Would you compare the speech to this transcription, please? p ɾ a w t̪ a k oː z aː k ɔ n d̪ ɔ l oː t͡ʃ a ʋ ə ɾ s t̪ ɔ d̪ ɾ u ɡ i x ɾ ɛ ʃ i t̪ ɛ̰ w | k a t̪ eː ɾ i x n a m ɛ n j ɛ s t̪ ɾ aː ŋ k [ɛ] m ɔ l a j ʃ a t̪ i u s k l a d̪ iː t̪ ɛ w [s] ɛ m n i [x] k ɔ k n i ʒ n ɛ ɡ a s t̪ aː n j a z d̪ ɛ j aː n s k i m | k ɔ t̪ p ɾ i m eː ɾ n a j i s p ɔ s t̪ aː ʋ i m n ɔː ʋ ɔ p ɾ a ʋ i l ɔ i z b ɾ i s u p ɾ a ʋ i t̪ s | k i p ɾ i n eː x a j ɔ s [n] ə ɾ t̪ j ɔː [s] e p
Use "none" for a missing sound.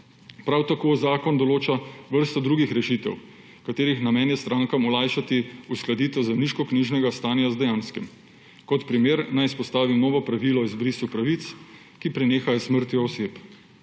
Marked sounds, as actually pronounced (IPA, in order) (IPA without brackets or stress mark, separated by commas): a, z, ʃ, m, s